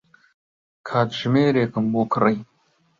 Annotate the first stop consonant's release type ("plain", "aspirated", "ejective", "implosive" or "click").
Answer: aspirated